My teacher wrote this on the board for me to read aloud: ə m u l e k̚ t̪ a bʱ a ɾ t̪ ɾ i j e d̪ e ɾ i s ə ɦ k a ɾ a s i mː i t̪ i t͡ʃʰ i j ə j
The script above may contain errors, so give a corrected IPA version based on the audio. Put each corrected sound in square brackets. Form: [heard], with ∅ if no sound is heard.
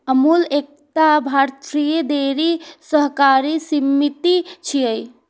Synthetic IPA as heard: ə m u l e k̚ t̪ a bʱ a ɾ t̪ ɾ i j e d̪ e ɾ i s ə ɦ k a ɾ [i] s i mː i t̪ i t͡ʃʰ i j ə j